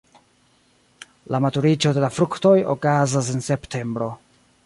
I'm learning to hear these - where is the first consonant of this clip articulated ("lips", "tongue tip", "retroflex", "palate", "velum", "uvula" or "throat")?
tongue tip